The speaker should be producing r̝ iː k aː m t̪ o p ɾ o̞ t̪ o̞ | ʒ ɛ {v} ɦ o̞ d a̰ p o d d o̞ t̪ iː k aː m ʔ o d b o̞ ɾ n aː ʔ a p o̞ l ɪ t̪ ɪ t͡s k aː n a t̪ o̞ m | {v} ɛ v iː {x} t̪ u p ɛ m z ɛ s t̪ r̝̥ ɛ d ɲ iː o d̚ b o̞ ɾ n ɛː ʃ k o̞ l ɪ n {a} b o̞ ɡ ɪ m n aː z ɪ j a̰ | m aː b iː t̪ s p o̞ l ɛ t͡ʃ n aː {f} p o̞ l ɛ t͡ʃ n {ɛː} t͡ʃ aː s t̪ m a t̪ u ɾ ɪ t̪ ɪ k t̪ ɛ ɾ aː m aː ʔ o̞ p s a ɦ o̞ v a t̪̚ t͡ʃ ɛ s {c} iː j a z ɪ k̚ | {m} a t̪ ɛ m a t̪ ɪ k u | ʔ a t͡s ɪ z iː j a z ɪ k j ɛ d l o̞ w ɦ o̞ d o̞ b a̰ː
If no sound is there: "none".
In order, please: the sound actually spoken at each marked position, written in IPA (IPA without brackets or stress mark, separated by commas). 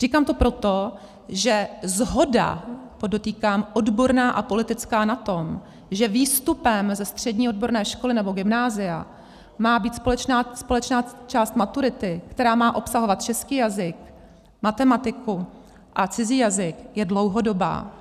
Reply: z, ʒ, s, ɛ, s, aː, k, m